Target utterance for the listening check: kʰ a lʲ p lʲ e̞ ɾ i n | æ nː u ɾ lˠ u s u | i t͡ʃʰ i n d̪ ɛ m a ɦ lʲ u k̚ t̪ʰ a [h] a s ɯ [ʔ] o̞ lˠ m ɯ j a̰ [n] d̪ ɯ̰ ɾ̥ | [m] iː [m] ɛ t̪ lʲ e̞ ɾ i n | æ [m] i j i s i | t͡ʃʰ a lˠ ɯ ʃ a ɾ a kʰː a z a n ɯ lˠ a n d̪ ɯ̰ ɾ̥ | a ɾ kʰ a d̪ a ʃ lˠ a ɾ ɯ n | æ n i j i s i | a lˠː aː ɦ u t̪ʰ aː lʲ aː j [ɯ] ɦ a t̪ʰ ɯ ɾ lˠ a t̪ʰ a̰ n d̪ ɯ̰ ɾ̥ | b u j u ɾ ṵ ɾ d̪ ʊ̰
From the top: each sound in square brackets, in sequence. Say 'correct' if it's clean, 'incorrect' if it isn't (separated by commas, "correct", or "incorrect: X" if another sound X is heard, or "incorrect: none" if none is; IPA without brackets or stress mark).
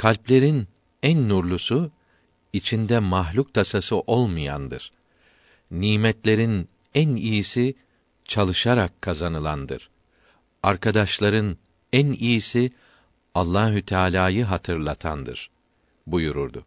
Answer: incorrect: s, correct, correct, incorrect: n, correct, incorrect: n, correct